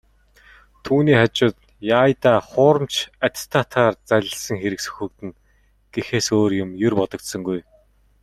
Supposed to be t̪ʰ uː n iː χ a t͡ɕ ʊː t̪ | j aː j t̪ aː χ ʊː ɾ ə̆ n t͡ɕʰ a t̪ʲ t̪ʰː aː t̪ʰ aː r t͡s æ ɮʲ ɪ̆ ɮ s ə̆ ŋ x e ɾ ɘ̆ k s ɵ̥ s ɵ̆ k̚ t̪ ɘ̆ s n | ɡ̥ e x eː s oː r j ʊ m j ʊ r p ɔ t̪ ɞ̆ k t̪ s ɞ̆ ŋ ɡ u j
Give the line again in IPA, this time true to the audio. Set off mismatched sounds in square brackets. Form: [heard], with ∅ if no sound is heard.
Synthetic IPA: t̪ʰ uː n iː χ a t͡ɕ ʊː t̪ | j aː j t̪ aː χ ʊː ɾ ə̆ [m] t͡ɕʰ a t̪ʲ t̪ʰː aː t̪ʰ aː r t͡s æ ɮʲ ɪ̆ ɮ s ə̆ ŋ x e ɾ ɘ̆ k s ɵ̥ [x] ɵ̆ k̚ t̪ ɘ̆ [∅] n | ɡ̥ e x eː s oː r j ʊ m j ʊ r p ɔ t̪ ɞ̆ k t̪ s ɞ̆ ŋ ɡ u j